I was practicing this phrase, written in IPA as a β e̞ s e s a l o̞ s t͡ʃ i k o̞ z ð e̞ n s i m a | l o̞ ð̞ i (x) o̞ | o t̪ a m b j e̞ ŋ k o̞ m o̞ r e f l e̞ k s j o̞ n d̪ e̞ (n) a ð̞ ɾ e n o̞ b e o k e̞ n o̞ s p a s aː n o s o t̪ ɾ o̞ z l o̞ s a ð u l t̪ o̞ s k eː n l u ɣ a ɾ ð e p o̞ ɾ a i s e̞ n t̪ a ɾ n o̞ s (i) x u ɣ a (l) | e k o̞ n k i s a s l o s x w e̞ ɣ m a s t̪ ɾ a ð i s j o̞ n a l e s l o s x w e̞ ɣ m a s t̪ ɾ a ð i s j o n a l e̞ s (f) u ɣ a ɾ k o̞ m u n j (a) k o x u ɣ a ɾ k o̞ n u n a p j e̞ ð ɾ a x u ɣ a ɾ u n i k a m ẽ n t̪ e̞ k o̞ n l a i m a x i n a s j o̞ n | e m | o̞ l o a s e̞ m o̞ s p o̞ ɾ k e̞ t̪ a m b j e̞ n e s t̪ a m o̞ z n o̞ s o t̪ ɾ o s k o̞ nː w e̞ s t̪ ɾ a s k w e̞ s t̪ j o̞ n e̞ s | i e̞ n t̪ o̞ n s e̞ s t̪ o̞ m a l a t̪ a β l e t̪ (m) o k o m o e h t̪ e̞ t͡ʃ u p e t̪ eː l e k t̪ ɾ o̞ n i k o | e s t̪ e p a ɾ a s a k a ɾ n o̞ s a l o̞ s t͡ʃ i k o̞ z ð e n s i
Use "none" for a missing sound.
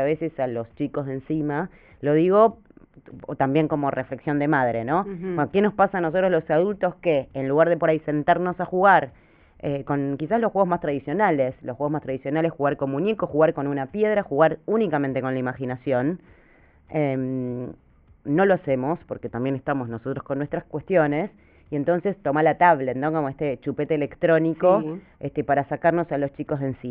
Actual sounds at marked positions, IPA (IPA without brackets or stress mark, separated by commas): ɣ, m, a, ɾ, x, e, n